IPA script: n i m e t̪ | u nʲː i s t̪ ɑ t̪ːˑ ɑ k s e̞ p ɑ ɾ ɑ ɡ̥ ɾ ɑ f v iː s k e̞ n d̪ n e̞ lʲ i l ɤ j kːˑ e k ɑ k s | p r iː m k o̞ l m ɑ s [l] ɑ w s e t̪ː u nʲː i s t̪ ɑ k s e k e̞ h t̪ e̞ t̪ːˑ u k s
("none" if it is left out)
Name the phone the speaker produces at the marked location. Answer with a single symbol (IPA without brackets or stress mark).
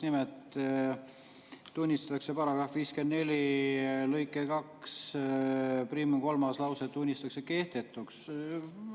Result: l